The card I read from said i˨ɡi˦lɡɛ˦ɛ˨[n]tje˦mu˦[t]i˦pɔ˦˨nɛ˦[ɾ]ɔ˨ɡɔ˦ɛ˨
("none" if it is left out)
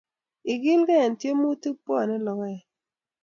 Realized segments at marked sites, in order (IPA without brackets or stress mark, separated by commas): n, t, l